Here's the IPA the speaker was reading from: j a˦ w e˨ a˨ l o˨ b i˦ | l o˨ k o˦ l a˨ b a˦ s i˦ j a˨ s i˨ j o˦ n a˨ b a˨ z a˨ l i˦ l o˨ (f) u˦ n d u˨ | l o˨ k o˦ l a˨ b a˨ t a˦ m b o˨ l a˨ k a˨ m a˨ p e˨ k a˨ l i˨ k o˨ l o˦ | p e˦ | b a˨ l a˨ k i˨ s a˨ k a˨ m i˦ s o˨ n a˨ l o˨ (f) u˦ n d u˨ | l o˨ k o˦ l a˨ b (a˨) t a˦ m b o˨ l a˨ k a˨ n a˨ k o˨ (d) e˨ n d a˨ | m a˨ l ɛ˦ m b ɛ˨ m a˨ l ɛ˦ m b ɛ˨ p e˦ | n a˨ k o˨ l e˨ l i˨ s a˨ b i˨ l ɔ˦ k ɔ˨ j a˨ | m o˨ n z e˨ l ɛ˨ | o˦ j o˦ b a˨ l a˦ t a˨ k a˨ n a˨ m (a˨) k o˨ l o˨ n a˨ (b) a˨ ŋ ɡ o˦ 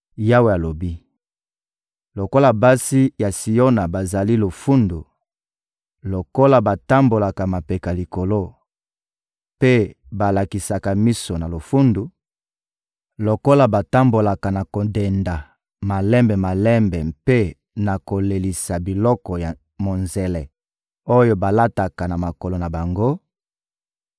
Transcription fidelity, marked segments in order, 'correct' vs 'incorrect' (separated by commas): correct, correct, correct, correct, correct, correct